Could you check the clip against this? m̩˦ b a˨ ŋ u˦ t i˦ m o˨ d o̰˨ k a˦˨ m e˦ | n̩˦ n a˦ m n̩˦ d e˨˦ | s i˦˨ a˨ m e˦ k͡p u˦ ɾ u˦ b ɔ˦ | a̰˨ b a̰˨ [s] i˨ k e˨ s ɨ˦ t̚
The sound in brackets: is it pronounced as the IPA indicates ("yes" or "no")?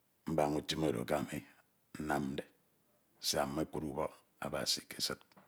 yes